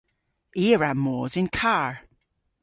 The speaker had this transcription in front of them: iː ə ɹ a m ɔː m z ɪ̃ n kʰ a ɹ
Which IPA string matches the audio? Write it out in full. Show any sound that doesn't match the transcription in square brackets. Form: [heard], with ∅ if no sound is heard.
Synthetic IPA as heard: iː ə ɹ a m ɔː [∅] z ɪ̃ n kʰ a ɹ